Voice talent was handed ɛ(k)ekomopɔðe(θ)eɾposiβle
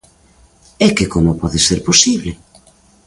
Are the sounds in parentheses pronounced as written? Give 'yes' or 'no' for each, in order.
yes, no

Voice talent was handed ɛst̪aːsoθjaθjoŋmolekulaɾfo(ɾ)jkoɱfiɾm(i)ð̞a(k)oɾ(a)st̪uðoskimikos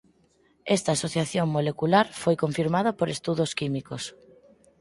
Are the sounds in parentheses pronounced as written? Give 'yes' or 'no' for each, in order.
no, no, no, no

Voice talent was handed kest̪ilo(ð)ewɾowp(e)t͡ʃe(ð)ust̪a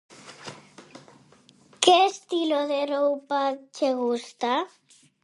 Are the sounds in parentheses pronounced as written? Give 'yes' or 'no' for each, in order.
yes, no, no

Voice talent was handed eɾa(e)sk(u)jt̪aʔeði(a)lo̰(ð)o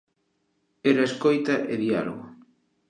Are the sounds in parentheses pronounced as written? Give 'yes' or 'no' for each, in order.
yes, no, yes, no

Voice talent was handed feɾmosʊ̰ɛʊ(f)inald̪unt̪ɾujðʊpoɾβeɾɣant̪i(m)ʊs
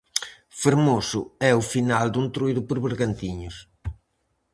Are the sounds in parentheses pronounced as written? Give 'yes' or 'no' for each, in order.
yes, no

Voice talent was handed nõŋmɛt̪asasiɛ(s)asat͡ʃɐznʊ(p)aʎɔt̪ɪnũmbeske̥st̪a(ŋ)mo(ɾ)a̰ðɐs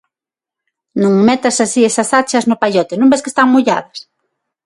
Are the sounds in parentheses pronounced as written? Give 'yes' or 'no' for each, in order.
yes, yes, yes, no

